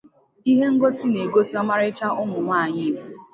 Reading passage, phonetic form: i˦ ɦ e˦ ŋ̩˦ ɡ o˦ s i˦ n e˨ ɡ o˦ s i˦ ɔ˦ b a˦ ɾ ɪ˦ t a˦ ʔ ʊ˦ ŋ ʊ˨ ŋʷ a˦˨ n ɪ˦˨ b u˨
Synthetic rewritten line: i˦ ɦ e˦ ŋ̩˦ ɡ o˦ s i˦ n e˨ ɡ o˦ s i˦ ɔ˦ m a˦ ɾ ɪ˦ t͡ʃ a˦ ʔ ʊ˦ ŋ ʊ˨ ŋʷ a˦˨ ɲ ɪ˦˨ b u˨